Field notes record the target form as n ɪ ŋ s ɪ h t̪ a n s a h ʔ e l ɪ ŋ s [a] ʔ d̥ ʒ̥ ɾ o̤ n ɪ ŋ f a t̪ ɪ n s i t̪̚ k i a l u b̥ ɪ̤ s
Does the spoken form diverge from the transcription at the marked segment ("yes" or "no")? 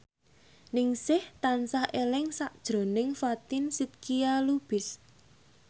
no